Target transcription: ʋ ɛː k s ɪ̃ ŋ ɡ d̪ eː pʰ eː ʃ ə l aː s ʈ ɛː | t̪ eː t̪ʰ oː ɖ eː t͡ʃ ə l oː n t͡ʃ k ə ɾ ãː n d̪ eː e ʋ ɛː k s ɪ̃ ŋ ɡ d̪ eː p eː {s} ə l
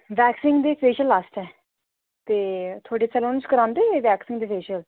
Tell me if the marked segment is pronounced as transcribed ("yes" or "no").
no